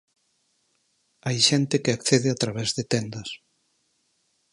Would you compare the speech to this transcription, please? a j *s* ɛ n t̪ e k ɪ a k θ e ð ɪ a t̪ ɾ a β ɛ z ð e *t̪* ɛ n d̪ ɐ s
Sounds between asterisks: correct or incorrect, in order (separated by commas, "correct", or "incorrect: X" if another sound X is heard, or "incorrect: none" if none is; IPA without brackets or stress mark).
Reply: incorrect: ʃ, correct